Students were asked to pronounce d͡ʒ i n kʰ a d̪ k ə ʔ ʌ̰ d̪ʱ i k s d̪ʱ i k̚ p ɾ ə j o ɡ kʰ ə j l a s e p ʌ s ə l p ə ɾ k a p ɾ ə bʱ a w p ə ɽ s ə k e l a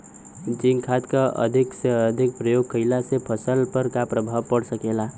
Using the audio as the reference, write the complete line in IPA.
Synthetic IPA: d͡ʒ i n kʰ a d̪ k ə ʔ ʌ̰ d̪ʱ i k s d̪ʱ i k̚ p ɾ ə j o ɡ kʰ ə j l a s e pʰ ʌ s ə l p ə ɾ k a p ɾ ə bʱ a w p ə ɽ s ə k e l a